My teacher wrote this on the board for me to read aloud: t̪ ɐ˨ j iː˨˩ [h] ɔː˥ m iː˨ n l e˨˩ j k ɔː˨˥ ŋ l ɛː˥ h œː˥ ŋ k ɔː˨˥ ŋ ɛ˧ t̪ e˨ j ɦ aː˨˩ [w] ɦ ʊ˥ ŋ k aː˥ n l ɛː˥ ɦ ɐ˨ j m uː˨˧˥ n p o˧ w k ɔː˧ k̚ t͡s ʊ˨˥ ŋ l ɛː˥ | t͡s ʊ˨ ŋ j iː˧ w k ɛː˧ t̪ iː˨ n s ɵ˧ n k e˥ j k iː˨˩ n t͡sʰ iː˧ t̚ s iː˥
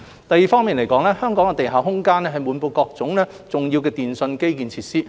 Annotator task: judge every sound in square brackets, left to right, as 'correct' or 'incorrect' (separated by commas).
incorrect, correct